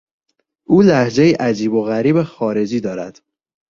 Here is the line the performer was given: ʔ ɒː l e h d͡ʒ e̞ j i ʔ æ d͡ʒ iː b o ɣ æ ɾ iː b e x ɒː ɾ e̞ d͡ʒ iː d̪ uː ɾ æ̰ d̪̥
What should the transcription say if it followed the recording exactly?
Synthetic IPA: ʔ uː l æ h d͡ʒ e̞ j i ʔ æ d͡ʒ iː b o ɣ æ ɾ iː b e x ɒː ɾ e̞ d͡ʒ iː d̪ ɒː ɾ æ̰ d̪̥